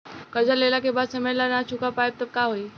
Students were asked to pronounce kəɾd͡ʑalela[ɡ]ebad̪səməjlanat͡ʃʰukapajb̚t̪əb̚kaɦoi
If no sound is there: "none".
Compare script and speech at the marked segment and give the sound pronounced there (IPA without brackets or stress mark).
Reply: k